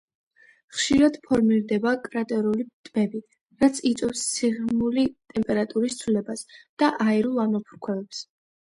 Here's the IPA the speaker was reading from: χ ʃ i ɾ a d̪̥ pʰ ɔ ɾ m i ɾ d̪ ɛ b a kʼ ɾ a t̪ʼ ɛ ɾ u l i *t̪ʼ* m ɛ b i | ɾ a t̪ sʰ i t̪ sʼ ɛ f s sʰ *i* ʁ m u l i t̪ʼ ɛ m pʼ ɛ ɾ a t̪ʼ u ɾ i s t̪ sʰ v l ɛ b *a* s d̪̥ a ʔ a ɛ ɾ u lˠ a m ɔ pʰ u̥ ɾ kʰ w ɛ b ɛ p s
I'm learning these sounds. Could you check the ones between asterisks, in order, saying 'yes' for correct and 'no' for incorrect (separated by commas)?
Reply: yes, yes, yes